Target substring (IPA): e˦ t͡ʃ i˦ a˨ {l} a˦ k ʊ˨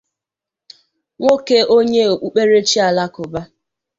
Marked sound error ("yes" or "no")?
no